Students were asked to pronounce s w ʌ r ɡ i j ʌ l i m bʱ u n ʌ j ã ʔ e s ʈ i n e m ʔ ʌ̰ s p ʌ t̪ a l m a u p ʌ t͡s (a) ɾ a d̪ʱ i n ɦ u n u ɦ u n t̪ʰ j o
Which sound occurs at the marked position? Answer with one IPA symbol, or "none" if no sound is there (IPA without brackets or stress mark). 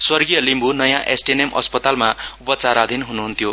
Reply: a